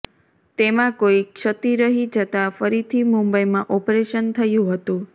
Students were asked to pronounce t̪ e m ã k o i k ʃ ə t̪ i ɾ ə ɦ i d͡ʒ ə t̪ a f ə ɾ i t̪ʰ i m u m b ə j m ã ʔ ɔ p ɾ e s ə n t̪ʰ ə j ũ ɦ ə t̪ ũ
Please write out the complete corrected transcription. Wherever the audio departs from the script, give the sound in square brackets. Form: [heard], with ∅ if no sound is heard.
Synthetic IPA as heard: t̪ e m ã k o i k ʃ ə t̪ i ɾ ə ɦ i d͡ʒ ə t̪ a f ə ɾ i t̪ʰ i m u m b ə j m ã ʔ ɔ p ɾ e [ʃ] ə n t̪ʰ ə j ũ ɦ ə t̪ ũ